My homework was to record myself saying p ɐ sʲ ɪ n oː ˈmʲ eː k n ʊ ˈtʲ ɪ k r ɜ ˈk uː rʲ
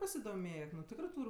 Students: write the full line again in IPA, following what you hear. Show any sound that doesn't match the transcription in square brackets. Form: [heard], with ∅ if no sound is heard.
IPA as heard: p ɐ sʲ ɪ [d] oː ˈmʲ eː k n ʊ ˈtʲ ɪ k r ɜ [ˈt] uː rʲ